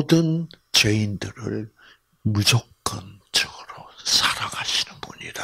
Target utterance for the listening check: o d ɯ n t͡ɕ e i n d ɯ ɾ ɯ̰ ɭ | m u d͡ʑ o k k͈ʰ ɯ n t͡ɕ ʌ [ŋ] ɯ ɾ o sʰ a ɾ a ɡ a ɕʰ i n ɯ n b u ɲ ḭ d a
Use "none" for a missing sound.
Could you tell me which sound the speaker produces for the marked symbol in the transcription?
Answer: ɡ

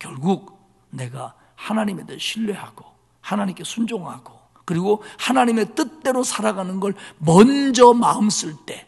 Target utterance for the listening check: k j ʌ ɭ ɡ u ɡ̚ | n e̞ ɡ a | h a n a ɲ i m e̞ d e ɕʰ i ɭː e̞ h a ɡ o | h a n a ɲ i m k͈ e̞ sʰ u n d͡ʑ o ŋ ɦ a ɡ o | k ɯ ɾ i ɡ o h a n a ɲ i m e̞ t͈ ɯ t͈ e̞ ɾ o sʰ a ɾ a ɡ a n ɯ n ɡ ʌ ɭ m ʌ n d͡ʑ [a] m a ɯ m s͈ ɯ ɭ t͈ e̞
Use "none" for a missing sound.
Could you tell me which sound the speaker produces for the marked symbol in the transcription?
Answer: ʌ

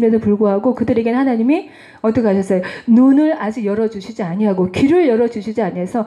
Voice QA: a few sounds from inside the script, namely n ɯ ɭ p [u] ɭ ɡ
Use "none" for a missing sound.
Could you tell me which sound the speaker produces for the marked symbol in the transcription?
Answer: u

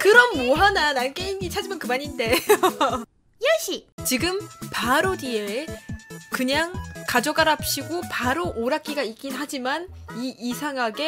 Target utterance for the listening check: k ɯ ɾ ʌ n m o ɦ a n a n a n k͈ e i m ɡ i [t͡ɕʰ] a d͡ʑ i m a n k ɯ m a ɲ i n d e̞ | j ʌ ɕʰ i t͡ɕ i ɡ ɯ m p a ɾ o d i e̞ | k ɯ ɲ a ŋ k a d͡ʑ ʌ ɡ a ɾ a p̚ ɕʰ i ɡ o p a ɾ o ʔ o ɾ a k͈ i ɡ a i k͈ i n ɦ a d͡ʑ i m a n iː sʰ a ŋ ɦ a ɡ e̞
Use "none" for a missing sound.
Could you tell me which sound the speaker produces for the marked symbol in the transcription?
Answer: t͡ɕʰ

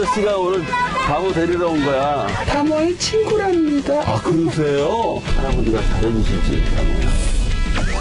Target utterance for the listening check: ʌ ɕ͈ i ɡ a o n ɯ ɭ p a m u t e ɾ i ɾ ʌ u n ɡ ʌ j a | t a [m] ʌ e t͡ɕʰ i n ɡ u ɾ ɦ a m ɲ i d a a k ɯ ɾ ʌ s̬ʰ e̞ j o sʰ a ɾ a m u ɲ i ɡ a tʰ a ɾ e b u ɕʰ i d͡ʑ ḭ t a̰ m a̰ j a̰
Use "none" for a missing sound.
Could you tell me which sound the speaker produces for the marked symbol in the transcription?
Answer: m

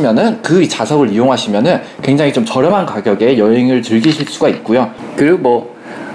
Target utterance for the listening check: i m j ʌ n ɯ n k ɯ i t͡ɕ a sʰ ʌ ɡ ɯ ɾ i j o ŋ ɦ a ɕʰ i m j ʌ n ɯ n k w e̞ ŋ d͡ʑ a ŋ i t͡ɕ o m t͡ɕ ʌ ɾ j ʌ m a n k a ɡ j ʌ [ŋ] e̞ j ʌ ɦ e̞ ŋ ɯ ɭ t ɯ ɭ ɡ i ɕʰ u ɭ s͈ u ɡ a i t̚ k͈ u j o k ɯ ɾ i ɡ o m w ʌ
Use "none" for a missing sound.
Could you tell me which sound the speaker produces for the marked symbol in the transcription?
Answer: ɡ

